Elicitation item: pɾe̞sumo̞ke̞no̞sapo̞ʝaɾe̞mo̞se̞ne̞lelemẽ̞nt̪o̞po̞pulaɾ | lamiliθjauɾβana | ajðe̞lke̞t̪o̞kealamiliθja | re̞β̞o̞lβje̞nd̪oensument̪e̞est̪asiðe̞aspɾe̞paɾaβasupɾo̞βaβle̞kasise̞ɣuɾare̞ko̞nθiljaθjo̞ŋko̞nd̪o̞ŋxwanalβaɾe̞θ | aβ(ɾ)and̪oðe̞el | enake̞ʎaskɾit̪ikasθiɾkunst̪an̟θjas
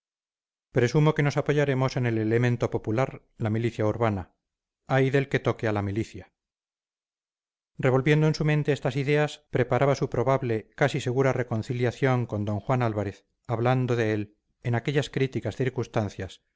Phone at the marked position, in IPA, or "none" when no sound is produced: l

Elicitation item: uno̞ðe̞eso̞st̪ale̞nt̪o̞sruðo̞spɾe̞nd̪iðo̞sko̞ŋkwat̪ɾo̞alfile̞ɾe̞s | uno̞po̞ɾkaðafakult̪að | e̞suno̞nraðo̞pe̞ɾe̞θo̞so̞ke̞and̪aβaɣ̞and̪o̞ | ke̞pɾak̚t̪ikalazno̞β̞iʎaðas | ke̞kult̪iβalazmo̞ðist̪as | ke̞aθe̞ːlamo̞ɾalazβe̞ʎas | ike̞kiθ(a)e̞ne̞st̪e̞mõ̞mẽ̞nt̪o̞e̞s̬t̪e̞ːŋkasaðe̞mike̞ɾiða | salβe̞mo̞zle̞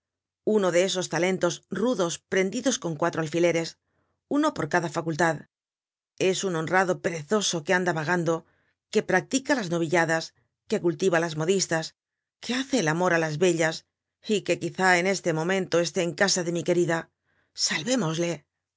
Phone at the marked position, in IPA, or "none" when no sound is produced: a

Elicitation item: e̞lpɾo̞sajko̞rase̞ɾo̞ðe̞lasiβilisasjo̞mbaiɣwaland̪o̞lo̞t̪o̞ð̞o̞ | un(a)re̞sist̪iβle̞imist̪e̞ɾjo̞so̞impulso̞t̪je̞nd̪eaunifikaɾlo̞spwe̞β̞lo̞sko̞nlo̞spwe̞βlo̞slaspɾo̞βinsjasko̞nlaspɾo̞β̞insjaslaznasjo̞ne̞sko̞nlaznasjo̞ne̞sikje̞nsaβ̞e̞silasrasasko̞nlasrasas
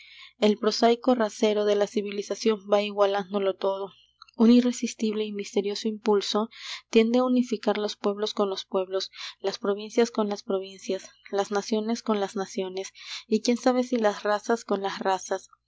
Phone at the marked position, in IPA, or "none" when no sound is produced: i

